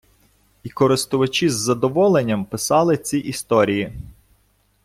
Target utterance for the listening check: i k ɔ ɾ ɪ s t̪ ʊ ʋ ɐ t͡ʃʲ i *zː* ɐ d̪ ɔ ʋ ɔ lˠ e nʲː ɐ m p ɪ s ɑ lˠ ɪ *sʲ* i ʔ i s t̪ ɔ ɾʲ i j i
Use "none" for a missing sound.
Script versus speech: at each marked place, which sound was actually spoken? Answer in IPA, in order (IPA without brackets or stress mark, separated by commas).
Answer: zː, t͡sʲ